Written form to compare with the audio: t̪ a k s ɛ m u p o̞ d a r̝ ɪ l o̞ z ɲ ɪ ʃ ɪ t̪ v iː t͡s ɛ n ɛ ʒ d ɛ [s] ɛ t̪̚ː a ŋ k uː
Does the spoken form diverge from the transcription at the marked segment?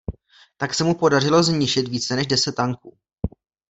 no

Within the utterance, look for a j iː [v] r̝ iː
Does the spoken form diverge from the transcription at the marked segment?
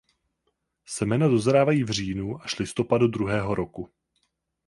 no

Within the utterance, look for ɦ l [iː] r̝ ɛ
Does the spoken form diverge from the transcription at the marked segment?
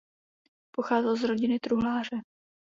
yes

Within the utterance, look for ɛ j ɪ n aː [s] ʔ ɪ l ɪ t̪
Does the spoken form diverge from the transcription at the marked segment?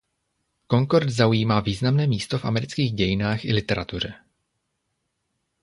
yes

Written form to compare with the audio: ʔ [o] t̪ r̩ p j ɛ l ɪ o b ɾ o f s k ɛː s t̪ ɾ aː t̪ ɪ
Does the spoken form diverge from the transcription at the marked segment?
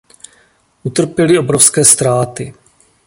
yes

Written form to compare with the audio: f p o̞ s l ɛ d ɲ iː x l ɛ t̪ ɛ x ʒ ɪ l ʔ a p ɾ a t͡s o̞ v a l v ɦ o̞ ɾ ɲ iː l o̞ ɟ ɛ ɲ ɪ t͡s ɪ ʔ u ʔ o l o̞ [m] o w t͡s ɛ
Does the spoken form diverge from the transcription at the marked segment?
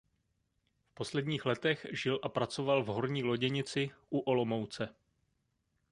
no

